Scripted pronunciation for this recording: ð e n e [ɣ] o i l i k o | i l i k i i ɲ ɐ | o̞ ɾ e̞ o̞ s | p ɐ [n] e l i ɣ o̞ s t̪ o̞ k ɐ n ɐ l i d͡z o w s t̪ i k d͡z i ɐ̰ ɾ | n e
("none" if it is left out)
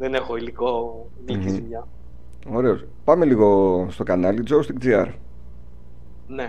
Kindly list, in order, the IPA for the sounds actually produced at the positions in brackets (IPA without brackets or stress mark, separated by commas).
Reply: x, m